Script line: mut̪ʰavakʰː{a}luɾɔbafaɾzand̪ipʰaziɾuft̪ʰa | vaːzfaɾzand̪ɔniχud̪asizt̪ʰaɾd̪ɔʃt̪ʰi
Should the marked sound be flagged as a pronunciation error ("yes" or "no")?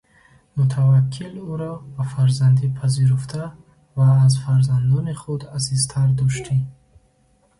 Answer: yes